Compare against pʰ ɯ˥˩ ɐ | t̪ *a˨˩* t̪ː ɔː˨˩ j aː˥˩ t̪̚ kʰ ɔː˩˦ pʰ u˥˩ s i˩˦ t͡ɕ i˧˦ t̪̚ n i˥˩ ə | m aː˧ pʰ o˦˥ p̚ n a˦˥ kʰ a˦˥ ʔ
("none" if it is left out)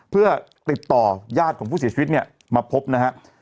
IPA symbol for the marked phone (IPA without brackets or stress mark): i˨˩